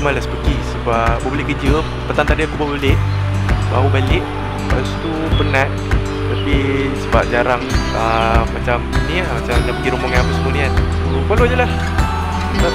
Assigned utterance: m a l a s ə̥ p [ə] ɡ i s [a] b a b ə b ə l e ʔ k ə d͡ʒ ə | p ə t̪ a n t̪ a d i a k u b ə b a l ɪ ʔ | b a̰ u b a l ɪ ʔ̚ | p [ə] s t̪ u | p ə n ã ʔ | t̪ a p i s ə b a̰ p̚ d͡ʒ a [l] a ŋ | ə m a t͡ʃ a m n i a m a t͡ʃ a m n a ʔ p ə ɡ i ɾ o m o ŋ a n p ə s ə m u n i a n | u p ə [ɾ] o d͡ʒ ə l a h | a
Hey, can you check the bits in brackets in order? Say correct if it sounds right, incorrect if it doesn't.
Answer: correct, incorrect, incorrect, incorrect, incorrect

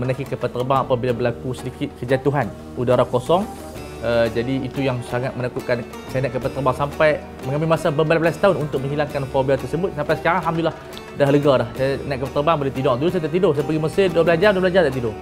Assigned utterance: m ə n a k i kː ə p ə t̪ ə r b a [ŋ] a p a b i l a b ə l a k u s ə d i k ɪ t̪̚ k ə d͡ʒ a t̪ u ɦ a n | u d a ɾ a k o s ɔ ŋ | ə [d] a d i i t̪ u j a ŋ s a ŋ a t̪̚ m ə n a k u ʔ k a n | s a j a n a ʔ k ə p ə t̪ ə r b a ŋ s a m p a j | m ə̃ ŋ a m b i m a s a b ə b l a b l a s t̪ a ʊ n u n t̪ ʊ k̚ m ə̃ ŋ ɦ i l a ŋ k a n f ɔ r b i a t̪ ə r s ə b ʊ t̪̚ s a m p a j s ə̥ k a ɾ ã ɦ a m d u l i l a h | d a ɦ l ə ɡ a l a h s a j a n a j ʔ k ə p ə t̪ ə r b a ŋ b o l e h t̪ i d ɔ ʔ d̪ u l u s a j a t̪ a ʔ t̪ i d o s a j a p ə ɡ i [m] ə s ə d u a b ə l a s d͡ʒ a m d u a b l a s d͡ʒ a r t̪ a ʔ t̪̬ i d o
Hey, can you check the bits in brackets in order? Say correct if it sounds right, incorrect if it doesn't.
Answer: correct, incorrect, correct

